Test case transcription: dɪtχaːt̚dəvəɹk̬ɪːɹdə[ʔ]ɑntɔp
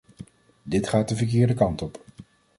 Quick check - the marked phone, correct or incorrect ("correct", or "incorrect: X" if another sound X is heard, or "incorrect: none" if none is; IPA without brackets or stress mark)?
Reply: incorrect: k